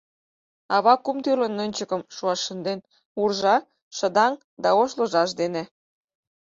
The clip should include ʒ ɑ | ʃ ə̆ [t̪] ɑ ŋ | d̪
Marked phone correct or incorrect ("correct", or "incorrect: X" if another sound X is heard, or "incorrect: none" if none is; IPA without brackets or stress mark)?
incorrect: d̪